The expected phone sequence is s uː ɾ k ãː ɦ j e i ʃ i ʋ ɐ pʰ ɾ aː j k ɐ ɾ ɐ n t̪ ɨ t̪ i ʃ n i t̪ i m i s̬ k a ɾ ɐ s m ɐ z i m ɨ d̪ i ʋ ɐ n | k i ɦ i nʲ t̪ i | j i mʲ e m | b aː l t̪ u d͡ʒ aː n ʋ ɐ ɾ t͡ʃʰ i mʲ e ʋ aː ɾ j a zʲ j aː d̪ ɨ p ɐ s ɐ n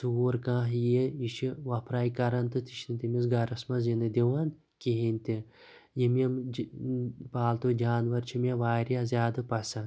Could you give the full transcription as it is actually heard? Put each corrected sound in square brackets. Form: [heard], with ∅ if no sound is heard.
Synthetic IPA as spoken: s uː ɾ k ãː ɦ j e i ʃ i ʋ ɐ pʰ ɾ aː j k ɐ ɾ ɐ n t̪ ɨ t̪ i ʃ n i t̪ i m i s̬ [ɡ] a ɾ ɐ s m ɐ z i [n] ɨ d̪ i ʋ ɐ n | k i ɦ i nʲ t̪ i | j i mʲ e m | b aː l t̪ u d͡ʒ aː n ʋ ɐ ɾ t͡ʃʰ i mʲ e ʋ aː ɾ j a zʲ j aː d̪ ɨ p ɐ s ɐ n